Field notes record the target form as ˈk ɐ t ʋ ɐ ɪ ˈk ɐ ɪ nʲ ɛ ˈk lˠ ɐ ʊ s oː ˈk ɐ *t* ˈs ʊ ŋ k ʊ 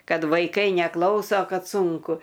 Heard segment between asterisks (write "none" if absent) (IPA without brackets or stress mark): t